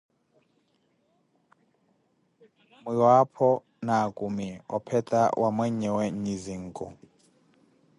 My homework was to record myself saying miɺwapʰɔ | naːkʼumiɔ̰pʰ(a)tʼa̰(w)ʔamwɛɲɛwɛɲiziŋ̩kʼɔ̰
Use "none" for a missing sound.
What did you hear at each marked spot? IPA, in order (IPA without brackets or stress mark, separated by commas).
ɛ, w